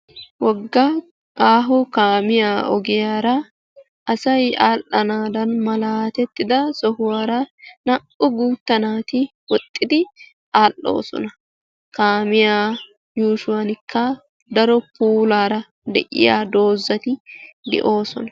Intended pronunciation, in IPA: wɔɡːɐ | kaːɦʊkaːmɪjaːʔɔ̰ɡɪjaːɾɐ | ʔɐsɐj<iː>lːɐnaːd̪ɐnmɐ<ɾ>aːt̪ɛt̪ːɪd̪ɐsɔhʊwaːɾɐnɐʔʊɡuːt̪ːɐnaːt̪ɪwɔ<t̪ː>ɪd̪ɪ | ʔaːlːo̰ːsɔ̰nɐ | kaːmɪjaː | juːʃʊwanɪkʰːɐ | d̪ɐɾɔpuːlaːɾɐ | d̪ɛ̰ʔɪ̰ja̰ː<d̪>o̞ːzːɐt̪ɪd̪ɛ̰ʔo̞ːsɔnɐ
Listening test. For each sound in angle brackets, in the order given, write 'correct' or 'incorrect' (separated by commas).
incorrect, incorrect, incorrect, correct